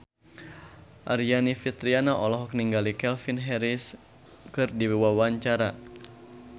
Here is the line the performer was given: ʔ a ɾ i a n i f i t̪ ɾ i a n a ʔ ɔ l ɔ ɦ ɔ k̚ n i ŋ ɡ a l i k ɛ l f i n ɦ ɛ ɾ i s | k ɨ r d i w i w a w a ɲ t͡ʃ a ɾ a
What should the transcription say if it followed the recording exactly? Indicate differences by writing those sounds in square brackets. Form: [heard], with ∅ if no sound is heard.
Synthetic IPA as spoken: ʔ a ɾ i a n i f i t̪ ɾ i a n a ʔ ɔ l ɔ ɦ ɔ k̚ n i ŋ ɡ a l i k ɛ l f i n ɦ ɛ ɾ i s | k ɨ r d i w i w a w a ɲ t͡ʃ a ɾ a